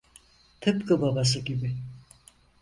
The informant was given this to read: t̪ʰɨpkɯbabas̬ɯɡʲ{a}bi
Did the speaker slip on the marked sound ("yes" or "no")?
yes